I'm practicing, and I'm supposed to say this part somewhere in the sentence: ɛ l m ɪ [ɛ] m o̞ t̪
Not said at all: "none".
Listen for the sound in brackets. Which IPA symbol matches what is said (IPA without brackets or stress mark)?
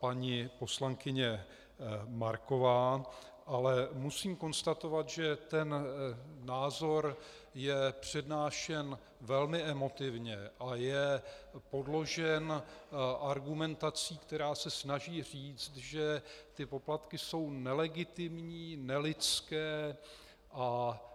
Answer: ɛ